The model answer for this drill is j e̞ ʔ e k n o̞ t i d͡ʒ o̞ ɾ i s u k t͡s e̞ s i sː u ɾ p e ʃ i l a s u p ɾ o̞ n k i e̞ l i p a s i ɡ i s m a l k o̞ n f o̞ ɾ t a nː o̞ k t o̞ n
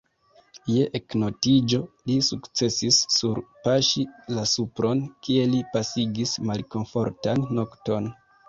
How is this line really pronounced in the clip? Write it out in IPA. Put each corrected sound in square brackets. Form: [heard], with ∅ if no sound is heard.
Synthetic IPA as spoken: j e̞ ʔ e k n o̞ t i d͡ʒ o̞ [l] i s u k t͡s e̞ s i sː u ɾ p [a] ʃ i l a s u p ɾ o̞ n k i e̞ l i p a s i ɡ i s m a l k o̞ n f o̞ ɾ t a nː o̞ k t o̞ n